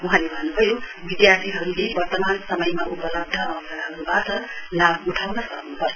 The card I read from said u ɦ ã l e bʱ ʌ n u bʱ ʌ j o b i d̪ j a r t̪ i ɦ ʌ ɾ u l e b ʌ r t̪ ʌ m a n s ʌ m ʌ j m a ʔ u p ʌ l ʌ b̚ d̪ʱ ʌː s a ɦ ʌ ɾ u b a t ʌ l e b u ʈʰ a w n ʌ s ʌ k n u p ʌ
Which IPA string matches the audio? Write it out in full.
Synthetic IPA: u ɦ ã l e bʱ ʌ n u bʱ ʌ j o b i d̪ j a r t̪ i ɦ ʌ ɾ u l e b ʌ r t̪ ʌ m a n s ʌ m ʌ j m a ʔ u p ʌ l ʌ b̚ d̪ʱ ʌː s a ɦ ʌ ɾ u b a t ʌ l a b u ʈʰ a w n ʌ s ʌ k n u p ʌ